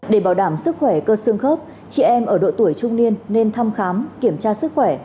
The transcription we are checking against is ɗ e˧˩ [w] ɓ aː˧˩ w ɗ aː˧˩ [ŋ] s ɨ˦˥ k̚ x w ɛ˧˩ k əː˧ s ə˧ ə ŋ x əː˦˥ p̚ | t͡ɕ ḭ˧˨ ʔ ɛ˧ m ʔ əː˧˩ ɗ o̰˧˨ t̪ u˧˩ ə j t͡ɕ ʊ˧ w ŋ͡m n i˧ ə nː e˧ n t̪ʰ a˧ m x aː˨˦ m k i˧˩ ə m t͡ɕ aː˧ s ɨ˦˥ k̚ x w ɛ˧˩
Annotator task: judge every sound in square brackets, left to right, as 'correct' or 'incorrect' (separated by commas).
incorrect, incorrect